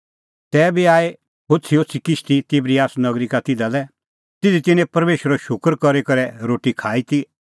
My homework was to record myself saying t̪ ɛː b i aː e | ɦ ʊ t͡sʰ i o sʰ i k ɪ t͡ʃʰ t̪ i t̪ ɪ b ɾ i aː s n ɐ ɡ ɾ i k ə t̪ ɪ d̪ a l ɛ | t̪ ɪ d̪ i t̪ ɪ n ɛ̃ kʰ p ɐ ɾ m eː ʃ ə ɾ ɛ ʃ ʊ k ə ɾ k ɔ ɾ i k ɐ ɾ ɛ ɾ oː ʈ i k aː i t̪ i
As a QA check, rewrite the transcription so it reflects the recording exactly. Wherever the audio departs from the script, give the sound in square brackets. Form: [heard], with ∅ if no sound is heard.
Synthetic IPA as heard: t̪ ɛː b i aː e | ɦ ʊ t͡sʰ i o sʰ i k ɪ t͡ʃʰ t̪ i t̪ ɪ b ɾ i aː s n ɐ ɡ ɾ i k [a] t̪ ɪ d̪ a l ɛ | t̪ ɪ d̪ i t̪ ɪ n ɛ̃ [∅] p ɐ ɾ m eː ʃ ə ɾ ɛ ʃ ʊ k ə ɾ k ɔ ɾ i k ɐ ɾ ɛ ɾ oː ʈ i [kʰ] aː i t̪ i